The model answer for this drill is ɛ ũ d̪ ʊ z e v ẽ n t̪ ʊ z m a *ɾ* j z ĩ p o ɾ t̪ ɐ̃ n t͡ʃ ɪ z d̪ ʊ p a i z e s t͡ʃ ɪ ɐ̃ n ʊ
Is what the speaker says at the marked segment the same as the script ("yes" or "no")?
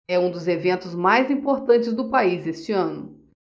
no